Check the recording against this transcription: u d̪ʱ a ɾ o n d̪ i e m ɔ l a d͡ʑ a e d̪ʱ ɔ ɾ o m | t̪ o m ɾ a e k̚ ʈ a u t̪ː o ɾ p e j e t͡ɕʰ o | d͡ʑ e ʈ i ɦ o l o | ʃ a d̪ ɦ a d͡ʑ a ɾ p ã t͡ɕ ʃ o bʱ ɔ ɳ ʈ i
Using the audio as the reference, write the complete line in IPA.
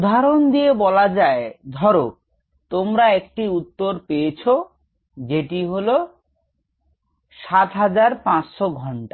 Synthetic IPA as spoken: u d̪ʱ a ɾ o n d̪ i e b ɔ l a d͡ʑ a e d̪ʱ ɔ ɾ o | t̪ o m ɾ a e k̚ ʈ i u t̪ː o ɾ p e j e t͡ɕʰ o | d͡ʑ e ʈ i ɦ o l o | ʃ a t̪ ɦ a d͡ʑ a ɾ p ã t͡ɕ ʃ o ɡʱ ɔ ɳ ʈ a